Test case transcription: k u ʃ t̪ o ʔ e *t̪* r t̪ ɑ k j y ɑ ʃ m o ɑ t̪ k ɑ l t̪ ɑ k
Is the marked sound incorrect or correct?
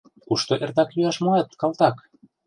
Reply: incorrect: none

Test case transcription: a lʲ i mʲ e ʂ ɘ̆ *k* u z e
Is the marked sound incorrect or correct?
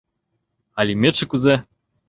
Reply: correct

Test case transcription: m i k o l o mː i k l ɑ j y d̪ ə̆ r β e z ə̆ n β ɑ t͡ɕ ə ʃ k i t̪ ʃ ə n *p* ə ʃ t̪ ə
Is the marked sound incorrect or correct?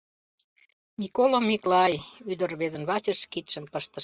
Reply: correct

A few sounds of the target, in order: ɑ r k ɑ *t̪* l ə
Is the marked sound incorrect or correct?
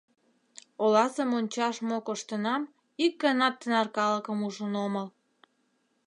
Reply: incorrect: none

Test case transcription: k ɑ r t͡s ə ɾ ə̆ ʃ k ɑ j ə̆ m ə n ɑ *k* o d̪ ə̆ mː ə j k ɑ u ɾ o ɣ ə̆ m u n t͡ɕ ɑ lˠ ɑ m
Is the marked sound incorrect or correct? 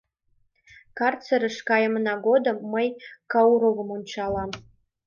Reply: incorrect: ɡ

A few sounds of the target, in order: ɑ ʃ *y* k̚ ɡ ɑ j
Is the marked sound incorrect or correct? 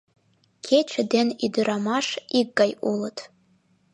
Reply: incorrect: i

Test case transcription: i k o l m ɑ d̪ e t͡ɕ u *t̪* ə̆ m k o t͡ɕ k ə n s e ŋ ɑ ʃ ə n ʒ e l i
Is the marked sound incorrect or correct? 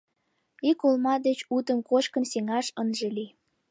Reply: correct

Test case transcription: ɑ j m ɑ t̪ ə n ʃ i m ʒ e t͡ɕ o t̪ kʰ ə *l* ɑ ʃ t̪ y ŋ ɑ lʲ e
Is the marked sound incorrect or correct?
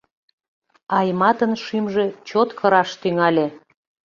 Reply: incorrect: ɾ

